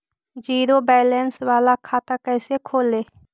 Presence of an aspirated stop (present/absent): present